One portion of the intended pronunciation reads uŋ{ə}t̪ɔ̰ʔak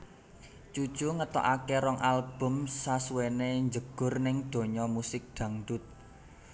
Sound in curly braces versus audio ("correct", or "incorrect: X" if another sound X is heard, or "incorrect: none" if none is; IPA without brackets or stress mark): correct